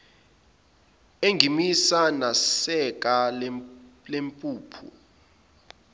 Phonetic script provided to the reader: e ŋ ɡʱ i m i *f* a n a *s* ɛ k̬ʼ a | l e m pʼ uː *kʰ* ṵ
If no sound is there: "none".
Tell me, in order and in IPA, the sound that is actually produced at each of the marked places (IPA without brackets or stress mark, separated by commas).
s, s, pʰ